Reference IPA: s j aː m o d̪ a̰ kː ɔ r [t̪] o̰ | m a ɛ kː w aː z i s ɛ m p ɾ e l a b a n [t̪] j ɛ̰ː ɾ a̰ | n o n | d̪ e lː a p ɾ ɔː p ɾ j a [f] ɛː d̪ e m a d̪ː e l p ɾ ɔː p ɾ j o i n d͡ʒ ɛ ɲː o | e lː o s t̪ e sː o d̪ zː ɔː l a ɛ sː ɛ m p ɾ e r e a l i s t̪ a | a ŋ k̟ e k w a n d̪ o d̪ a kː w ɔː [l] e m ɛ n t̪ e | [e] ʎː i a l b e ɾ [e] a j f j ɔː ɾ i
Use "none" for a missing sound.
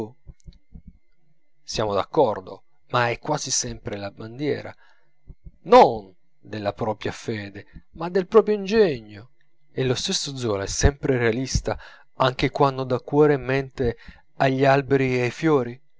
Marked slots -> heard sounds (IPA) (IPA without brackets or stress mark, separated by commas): d̪, d̪, f, ɾ, a, i